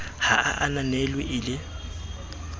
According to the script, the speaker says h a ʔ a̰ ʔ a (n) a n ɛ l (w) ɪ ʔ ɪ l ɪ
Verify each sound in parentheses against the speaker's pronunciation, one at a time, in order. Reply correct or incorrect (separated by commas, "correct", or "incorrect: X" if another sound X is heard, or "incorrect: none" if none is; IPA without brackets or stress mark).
correct, correct